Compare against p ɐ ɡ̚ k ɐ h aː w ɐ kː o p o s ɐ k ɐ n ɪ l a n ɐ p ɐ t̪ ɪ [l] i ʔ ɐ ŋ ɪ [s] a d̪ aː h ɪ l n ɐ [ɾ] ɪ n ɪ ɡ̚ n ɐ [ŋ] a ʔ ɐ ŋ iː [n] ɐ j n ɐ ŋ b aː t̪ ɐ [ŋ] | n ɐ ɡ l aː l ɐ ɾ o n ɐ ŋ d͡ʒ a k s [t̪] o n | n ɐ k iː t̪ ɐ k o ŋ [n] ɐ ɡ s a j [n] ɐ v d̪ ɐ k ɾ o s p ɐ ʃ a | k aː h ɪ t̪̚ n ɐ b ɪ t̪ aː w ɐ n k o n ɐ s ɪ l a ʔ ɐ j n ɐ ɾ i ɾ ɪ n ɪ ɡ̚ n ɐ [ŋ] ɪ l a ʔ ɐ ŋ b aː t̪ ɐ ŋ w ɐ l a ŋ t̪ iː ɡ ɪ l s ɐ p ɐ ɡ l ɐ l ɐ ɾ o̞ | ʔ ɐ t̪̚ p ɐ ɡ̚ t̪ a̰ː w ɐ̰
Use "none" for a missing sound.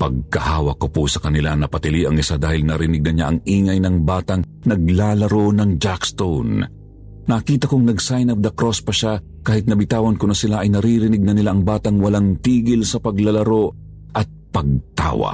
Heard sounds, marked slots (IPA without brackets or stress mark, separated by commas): l, s, ɾ, ɲ, ŋ, ŋ, t̪, n, n, n